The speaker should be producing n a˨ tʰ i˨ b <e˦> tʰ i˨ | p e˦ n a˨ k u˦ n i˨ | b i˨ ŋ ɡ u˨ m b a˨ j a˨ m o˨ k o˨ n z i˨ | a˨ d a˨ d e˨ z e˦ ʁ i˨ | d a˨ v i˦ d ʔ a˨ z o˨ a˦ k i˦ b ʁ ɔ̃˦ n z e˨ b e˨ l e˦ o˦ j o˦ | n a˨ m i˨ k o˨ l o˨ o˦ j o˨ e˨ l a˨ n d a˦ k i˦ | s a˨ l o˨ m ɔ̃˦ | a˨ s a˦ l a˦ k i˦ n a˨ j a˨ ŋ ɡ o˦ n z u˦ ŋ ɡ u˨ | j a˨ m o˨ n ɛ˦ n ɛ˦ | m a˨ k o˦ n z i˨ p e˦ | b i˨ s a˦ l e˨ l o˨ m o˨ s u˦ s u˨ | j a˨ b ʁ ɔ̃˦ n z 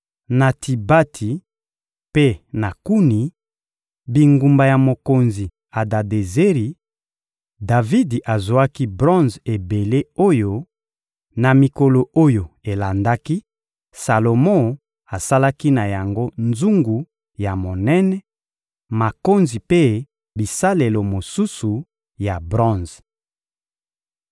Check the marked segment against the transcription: incorrect: a˦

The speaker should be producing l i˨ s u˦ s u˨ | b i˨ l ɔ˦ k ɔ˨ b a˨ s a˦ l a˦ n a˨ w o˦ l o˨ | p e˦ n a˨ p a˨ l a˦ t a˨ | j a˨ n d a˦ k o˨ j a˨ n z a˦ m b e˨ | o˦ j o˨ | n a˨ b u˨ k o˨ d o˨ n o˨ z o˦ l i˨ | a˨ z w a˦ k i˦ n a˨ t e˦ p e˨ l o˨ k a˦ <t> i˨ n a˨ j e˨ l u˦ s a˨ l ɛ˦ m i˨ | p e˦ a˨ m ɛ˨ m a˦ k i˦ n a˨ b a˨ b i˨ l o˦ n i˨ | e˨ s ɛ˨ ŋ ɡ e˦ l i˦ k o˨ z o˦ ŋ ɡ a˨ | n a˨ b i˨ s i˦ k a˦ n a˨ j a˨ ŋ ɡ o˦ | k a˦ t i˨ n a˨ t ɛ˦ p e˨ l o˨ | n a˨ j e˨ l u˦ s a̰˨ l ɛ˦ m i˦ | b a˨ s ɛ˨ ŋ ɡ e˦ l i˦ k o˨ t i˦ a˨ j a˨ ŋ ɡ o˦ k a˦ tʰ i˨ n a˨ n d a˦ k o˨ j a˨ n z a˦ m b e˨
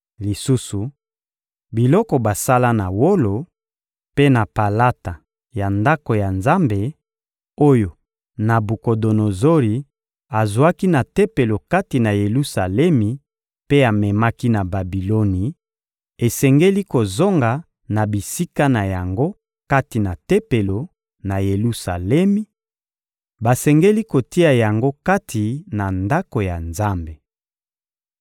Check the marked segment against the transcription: correct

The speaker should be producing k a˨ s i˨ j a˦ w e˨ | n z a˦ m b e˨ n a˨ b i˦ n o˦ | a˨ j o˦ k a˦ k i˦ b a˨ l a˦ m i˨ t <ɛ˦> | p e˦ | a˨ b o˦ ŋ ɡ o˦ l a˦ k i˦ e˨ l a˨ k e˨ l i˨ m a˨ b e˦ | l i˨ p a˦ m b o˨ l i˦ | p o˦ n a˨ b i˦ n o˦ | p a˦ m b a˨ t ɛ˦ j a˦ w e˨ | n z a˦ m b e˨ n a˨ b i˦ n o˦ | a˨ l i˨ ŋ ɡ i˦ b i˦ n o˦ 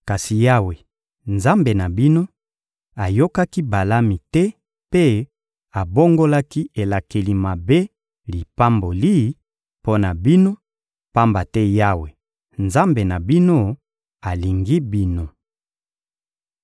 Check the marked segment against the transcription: correct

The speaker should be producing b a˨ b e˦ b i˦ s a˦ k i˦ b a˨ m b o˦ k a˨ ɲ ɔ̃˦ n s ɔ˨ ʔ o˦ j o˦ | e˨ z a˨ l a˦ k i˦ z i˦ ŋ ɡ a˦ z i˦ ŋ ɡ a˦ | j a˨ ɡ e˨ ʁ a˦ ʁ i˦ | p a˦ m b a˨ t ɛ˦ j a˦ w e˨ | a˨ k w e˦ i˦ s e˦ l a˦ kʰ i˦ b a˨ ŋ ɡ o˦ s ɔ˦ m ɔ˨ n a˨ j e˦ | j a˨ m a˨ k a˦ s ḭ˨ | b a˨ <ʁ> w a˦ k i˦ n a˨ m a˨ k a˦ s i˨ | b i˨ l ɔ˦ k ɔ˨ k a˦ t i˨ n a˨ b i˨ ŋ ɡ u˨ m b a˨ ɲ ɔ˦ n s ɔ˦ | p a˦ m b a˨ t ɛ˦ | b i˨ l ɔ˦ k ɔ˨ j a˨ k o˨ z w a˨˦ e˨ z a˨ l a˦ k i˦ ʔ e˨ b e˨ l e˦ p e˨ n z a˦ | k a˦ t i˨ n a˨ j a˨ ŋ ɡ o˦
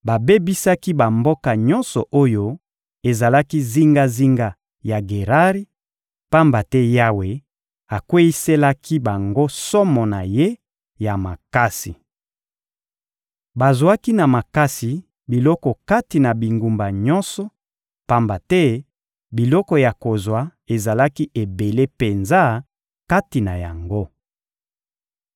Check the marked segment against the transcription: incorrect: z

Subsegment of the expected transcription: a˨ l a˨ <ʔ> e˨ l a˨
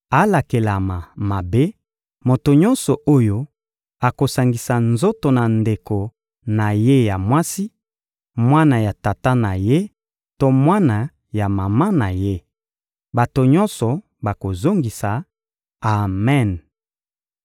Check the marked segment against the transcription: incorrect: k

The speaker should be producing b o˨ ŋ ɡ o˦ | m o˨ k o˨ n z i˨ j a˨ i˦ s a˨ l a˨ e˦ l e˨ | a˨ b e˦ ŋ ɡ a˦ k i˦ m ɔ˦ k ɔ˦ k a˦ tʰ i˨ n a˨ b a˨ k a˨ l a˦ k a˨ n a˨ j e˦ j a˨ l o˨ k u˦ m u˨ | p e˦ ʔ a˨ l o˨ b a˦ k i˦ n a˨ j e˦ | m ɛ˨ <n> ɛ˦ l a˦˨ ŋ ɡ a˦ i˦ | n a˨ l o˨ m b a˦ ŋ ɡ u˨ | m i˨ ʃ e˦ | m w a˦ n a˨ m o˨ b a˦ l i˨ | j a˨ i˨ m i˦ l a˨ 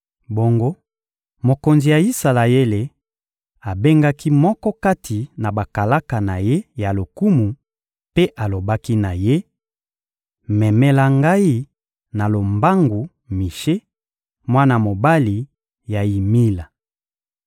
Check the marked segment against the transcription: incorrect: m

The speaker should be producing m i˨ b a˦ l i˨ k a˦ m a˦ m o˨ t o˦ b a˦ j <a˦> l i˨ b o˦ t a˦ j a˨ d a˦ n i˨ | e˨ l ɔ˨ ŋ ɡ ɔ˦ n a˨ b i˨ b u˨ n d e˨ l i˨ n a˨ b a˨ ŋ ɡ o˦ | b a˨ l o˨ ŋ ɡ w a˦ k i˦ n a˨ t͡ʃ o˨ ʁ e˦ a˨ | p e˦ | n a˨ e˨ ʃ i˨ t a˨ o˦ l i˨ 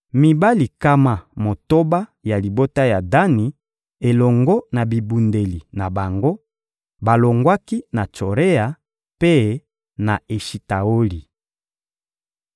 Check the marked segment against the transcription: incorrect: a˨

